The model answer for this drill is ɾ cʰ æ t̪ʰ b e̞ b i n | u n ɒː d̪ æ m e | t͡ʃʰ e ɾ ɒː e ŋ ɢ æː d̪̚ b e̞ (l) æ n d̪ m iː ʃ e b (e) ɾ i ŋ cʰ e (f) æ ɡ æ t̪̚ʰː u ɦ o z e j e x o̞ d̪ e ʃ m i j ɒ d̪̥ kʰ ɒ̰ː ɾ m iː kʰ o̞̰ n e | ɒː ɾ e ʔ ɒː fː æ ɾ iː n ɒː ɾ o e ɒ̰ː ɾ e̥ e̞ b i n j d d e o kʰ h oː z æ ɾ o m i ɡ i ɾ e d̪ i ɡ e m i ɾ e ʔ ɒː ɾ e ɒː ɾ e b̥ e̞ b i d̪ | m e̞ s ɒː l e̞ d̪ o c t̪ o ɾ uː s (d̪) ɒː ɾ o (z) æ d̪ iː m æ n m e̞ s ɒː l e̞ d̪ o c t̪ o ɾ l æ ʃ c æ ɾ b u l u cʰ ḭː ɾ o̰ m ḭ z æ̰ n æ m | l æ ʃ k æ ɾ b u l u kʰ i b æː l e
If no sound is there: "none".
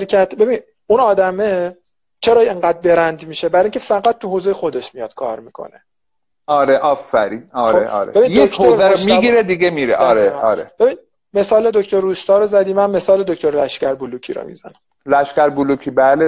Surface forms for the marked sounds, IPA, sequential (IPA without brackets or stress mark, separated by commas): ɾ, æ, f, t̪, z